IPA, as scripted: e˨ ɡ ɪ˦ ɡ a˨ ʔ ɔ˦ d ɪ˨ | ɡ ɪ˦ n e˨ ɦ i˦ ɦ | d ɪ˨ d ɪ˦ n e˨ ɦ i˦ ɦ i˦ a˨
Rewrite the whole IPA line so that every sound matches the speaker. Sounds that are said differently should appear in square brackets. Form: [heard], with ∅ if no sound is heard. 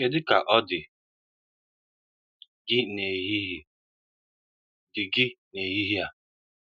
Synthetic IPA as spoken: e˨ [d] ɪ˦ [k] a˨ ʔ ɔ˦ d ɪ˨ | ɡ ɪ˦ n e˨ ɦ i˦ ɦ | d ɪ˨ [ɡ] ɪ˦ n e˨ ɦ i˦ ɦ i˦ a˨